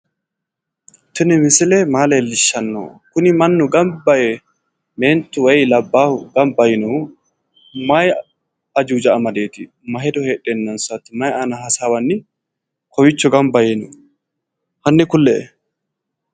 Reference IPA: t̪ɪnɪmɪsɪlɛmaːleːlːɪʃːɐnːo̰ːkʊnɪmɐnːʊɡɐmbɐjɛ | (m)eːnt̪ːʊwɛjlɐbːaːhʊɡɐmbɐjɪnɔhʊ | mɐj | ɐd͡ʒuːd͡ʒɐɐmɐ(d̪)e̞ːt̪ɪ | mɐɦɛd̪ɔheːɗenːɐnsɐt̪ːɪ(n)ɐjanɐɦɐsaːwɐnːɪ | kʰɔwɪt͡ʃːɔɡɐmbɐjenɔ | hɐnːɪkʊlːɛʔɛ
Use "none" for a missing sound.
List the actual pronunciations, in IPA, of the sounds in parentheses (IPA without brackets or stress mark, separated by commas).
m, d̪, m